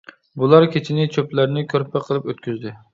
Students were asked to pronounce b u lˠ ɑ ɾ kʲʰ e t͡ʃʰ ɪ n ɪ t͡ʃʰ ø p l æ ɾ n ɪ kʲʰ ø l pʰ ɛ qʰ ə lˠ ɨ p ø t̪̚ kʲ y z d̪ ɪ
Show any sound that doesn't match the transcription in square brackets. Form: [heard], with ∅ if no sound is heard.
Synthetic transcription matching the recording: b u lˠ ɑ ɾ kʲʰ e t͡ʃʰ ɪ n ɪ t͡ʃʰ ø p l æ ɾ n ɪ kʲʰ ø [ɾ] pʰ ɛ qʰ ə lˠ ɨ p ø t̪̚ kʲ y z d̪ ɪ